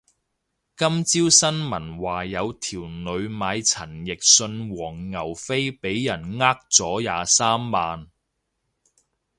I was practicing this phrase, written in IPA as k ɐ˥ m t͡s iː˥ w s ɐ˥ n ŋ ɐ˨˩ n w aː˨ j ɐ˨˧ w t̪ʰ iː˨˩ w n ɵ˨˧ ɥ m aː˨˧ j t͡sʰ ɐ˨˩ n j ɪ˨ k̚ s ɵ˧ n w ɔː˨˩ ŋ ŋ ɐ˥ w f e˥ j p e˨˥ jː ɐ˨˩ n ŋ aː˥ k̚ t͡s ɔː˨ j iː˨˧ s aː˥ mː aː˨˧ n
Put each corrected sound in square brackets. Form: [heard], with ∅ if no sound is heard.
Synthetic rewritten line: k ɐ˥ m t͡s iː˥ w s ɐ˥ n [m] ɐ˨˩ n w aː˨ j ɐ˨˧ w t̪ʰ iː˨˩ w n ɵ˨˧ ɥ m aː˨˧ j t͡sʰ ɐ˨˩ n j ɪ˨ k̚ s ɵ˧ n w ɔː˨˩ ŋ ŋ [ɐ˨˩] w f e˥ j p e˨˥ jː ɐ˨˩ n ŋ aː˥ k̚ t͡s [ɔː˨˥] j [aː˨˧] s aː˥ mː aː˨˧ n

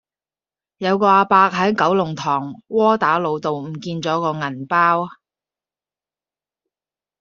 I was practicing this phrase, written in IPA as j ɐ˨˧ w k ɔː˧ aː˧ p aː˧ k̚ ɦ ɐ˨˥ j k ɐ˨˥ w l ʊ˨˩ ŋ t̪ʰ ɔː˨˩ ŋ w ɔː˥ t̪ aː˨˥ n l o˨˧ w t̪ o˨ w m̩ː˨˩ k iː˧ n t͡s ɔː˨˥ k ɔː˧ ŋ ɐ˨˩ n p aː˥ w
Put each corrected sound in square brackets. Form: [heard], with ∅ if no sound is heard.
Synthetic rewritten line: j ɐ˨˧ w k ɔː˧ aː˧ p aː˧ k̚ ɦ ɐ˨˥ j k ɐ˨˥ w l ʊ˨˩ ŋ t̪ʰ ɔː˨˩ ŋ w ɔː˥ t̪ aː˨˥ [∅] l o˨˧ w t̪ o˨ w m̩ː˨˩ k iː˧ n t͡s ɔː˨˥ k ɔː˧ ŋ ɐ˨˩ n p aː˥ w

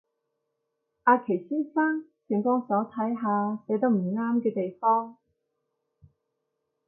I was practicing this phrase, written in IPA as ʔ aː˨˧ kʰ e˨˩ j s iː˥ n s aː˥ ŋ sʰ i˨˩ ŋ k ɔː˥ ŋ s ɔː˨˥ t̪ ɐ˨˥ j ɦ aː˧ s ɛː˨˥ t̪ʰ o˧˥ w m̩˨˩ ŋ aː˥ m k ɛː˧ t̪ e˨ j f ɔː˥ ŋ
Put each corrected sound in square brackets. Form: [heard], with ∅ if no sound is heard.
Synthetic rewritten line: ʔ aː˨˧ kʰ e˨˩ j s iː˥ n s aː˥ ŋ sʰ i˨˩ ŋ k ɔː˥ ŋ s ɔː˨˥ [t̪ʰ] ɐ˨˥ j ɦ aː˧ s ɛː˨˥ [t̪] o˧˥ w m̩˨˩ ŋ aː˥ m k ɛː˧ t̪ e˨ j f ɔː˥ ŋ

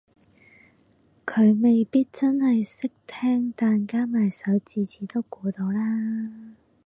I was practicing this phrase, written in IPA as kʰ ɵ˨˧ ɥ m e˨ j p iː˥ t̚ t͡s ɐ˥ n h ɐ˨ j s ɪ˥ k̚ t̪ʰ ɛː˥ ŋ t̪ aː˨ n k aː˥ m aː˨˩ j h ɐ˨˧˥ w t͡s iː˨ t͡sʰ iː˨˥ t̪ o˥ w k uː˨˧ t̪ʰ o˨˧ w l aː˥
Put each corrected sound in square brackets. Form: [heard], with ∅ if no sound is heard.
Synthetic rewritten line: kʰ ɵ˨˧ ɥ m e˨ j p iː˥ t̚ t͡s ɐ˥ n h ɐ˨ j s ɪ˥ k̚ t̪ʰ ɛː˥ ŋ t̪ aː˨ n k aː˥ m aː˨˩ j [s] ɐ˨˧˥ w t͡s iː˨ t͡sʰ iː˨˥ t̪ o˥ w k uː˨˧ [t̪] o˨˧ w l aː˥

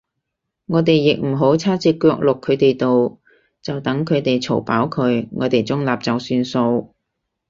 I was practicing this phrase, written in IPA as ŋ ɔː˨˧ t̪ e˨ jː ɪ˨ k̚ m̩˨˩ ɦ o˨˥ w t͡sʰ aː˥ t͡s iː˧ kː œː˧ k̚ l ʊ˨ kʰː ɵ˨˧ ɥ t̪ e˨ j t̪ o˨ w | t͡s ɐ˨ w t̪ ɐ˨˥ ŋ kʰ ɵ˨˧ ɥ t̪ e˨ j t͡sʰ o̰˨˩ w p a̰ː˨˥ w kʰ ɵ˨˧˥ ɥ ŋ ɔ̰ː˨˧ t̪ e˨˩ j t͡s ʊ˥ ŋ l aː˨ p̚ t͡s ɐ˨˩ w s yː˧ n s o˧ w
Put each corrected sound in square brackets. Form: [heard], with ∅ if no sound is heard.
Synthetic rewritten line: ŋ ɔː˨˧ t̪ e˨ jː ɪ˨ k̚ m̩˨˩ ɦ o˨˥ w t͡sʰ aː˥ t͡s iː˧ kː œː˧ k̚ l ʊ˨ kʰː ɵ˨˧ ɥ t̪ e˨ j t̪ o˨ w | t͡s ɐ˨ w t̪ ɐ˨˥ ŋ kʰ ɵ˨˧ ɥ t̪ e˨ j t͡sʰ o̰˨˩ w p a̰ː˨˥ w kʰ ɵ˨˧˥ ɥ ŋ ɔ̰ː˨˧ t̪ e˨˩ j t͡s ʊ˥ ŋ l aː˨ p̚ t͡s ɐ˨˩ w s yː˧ n s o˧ w

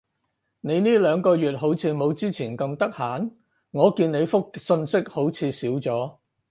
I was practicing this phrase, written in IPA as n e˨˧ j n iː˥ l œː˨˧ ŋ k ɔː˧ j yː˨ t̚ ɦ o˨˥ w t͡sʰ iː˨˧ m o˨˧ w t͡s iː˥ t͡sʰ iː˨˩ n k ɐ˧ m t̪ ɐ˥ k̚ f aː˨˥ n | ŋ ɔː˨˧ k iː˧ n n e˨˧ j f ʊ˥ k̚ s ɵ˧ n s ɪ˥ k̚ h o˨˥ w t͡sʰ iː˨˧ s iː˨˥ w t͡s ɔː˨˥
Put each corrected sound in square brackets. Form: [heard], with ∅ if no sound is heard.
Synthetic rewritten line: n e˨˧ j n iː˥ l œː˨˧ ŋ k ɔː˧ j yː˨ t̚ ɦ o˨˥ w t͡sʰ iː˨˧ m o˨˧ w t͡s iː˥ t͡sʰ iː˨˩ n k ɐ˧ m t̪ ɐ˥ k̚ [h] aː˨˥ n | ŋ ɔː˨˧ k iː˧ n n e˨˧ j f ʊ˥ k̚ s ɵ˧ n s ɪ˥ k̚ h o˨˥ w t͡sʰ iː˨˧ s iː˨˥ w t͡s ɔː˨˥

